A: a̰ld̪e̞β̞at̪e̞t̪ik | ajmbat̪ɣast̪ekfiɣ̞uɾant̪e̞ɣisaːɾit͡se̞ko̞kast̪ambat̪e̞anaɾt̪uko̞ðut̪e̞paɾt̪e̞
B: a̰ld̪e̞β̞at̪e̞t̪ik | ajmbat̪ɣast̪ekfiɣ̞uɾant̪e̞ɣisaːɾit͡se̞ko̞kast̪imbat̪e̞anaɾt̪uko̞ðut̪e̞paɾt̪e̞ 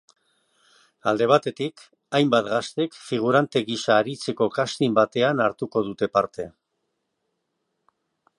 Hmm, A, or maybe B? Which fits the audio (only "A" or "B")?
B